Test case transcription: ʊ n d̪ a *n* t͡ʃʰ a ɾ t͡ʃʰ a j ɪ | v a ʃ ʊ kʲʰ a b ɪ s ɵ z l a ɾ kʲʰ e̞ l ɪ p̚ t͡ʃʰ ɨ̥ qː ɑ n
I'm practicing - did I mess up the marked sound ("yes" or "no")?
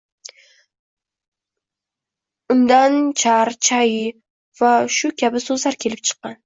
no